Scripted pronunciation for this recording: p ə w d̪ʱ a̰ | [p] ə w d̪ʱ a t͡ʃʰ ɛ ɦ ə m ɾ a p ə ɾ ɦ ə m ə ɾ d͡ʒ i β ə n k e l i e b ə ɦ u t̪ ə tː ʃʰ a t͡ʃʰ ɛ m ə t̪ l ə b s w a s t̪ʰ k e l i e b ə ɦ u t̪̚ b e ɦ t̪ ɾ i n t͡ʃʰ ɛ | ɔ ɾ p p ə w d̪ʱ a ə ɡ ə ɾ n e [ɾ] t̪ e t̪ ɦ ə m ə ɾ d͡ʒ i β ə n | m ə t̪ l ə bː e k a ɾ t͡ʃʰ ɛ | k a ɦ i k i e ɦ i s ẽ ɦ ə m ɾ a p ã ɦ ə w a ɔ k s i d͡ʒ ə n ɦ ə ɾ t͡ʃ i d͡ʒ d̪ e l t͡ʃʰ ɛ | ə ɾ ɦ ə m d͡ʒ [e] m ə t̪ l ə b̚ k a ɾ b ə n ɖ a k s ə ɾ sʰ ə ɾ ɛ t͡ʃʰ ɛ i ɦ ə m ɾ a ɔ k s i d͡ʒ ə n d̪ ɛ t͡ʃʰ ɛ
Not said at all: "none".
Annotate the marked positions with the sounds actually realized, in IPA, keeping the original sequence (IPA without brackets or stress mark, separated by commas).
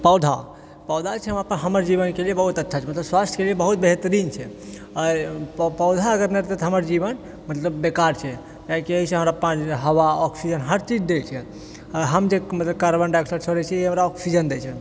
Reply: p, ɾ, e